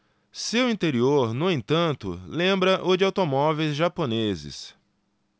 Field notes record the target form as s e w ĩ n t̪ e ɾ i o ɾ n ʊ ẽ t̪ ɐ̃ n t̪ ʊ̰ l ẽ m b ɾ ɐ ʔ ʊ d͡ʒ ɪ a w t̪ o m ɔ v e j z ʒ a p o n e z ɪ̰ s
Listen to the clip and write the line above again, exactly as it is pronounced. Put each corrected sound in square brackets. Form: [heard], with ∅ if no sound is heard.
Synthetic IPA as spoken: s e w ĩ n t̪ e ɾ i o ɾ n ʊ ẽ t̪ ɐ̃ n t̪ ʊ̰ l ẽ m b ɾ ɐ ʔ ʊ d͡ʒ ɪ a w t̪ o m ɔ v e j z ʒ a p o n e z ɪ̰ s